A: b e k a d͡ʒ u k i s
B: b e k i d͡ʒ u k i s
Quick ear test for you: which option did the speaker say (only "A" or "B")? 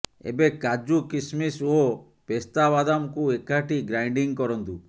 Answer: A